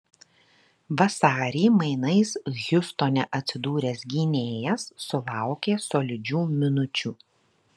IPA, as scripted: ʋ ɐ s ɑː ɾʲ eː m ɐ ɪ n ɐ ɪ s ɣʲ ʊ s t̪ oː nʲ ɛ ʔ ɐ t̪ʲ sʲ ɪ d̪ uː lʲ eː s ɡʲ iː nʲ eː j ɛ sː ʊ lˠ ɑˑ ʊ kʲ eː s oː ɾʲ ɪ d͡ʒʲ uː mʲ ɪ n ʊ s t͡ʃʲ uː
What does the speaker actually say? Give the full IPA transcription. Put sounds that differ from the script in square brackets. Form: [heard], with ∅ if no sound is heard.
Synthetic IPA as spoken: ʋ ɐ s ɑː ɾʲ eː m ɐ ɪ n ɐ ɪ s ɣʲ ʊ s t̪ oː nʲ ɛ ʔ ɐ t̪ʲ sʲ ɪ d̪ uː [ɾʲ] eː s ɡʲ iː nʲ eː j ɛ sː ʊ lˠ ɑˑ ʊ kʲ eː s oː [lʲ] ɪ d͡ʒʲ uː mʲ ɪ n ʊ [∅] t͡ʃʲ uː